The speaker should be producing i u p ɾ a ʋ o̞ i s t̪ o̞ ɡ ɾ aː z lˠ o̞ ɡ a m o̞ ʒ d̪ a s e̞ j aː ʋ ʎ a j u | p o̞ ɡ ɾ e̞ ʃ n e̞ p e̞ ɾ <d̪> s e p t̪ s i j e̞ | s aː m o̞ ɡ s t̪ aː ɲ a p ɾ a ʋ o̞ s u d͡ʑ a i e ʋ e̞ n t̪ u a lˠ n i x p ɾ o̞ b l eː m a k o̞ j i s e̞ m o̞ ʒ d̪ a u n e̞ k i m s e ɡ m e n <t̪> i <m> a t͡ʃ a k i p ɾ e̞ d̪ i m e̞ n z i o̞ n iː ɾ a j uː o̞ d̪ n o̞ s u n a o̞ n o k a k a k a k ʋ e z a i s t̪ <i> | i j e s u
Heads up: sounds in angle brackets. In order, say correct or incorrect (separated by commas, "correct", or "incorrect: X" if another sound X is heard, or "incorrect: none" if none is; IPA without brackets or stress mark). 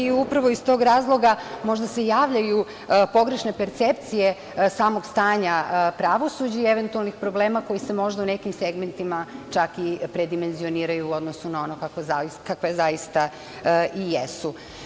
incorrect: t̪, correct, correct, incorrect: a